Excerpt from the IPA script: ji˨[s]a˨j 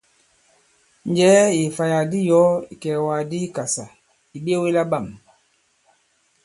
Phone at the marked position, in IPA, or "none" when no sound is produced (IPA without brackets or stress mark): f